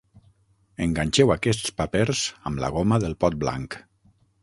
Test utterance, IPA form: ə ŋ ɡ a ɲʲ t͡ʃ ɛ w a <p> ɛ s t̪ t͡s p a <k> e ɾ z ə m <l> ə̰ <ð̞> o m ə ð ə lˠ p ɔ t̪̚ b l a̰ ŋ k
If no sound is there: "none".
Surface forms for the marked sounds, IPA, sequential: k, p, l, ɣ̞

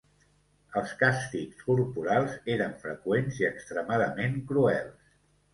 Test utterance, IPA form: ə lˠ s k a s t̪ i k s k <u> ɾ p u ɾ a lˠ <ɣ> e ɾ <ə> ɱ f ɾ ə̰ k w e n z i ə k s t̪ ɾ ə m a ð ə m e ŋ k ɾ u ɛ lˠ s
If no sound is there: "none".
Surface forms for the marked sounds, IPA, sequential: u, z, ə

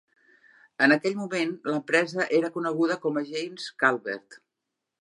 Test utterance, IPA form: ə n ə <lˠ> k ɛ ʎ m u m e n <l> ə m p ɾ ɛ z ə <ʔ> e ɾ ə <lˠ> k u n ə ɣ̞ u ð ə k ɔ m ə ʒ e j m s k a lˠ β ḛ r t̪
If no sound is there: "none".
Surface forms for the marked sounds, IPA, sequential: none, l, ʔ, none

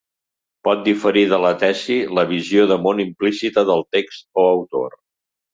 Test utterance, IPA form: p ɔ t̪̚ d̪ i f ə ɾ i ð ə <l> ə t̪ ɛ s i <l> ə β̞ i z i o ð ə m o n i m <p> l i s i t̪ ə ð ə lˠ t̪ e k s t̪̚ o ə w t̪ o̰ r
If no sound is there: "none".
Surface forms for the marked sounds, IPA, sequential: l, l, p

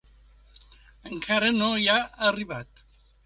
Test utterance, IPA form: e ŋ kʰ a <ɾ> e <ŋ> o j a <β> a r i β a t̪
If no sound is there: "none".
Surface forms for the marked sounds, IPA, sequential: ɾ, n, none

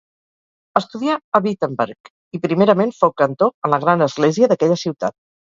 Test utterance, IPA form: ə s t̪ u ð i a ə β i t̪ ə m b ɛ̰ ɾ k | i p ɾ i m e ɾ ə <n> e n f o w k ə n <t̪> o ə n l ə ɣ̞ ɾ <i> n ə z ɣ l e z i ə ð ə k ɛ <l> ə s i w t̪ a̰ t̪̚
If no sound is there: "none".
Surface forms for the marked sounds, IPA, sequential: m, t̪, a, ʎ

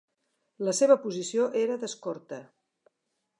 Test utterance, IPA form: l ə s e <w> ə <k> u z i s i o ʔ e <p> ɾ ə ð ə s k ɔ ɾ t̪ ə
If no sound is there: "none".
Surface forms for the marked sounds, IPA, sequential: β, p, none

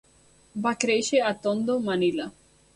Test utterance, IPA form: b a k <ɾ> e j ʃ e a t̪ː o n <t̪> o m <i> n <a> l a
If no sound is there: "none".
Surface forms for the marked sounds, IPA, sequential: ɾ, d̪, a, i

